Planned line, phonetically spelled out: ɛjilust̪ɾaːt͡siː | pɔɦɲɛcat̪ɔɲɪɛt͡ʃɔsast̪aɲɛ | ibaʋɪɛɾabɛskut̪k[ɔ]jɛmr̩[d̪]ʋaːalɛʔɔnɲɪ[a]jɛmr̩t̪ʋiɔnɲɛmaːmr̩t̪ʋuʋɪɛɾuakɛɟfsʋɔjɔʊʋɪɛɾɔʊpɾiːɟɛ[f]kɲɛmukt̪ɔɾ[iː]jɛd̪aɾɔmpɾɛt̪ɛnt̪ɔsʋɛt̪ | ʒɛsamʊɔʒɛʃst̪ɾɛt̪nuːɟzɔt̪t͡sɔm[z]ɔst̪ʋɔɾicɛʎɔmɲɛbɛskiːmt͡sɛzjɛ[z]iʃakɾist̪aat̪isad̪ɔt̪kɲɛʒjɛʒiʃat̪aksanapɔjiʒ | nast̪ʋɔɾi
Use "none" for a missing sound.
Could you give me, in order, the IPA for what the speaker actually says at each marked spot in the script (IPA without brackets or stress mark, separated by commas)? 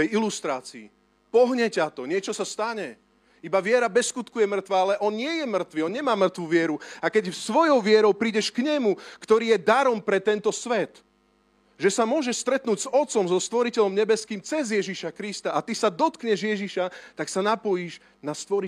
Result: u, t̪, ɛ, ʃ, iː, z, ʒ